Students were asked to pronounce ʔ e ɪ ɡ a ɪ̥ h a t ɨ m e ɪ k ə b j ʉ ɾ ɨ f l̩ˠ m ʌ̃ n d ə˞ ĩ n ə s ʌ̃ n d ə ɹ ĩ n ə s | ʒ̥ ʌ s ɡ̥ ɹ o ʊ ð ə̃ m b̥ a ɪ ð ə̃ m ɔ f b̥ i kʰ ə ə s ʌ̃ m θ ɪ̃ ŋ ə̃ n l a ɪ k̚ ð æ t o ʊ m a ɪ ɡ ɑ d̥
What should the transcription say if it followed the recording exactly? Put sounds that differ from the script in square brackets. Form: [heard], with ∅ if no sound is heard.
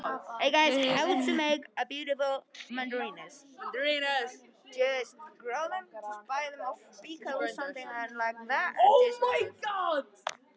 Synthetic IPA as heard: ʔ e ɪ ɡ a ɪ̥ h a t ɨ m e ɪ k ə b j ʉ ɾ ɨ f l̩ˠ m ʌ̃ n d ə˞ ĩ n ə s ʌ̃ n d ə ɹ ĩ n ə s | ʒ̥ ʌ s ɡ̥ ɹ o ʊ ð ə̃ m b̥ a ɪ ð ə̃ m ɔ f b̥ i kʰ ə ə s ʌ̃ m θ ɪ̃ ŋ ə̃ n l a ɪ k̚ ð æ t o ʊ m a ɪ ɡ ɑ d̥

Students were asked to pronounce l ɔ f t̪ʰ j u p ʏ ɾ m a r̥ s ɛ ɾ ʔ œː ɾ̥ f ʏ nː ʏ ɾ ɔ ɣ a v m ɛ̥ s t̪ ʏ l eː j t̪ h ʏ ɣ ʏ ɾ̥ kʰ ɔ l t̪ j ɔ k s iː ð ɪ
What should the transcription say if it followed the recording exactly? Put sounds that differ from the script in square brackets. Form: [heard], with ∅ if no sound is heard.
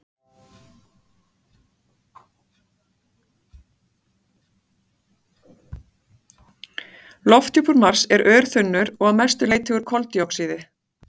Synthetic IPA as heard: l ɔ f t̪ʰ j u p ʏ ɾ m a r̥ s ɛ ɾ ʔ œː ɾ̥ [θ] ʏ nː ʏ ɾ ɔ ɣ a [ð] m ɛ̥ s t̪ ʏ l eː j t̪ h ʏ ɣ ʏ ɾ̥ kʰ ɔ l t̪ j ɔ k s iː ð ɪ

